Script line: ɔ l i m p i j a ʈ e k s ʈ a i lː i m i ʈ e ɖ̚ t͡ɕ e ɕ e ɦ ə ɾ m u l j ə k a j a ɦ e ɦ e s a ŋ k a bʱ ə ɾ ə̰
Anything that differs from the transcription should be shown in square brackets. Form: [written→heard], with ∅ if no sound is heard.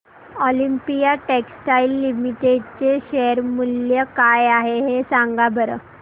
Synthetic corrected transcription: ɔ l i m p i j a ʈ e k s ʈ a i lː i m i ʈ e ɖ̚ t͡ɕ e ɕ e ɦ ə ɾ m u l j ə k a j a ɦ e ɦ e s a ŋ [k→ɡ] a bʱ ə ɾ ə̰